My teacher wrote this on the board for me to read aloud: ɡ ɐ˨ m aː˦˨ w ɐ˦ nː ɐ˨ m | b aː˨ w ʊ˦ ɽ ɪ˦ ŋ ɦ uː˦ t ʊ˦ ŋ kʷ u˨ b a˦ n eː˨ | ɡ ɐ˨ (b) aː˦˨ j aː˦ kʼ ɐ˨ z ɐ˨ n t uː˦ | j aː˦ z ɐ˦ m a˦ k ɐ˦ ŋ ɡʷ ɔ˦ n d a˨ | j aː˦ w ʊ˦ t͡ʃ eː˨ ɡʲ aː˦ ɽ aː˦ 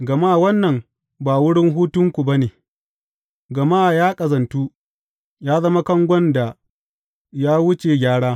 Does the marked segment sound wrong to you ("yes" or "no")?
yes